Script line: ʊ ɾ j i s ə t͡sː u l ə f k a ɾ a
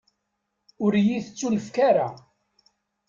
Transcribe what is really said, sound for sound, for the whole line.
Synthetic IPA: ʊ ɾ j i θ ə t͡sː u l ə f k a ɾ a